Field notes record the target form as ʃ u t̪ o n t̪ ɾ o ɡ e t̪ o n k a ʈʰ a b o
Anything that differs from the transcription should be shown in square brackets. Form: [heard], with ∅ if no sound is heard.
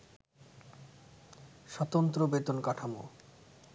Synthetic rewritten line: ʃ [ɔ] t̪ o n t̪ ɾ o [b] e t̪ o n k a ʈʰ a [m] o